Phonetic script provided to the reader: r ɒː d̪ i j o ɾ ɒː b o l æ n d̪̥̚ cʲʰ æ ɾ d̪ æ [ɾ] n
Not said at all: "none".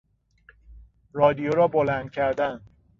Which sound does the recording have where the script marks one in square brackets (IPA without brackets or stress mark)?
none